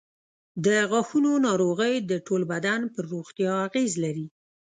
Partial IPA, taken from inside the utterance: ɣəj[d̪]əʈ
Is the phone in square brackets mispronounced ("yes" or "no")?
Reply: no